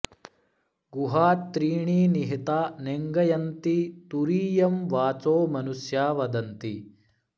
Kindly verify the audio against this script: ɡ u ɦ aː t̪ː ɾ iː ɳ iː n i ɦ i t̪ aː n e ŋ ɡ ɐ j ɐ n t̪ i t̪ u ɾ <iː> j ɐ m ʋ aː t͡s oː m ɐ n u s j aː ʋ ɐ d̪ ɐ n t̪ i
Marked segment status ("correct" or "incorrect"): correct